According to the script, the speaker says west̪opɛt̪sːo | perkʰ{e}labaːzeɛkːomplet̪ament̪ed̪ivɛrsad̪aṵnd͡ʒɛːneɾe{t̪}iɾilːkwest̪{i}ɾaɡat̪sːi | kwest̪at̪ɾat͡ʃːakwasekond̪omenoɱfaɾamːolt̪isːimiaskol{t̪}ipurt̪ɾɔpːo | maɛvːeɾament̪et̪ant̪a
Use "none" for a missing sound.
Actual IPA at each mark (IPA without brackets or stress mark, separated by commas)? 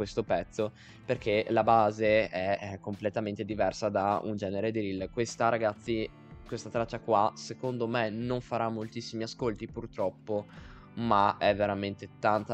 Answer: e, d̪, a, t̪